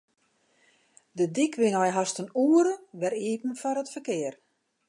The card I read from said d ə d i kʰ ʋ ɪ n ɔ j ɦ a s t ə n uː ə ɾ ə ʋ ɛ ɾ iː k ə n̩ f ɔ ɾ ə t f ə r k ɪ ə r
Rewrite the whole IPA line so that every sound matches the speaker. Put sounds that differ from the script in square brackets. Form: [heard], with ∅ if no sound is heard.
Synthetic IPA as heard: d ə d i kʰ ʋ ɪ n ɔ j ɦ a s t ə n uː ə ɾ ə ʋ ɛ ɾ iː [p] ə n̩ f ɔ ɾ ə t f ə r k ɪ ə r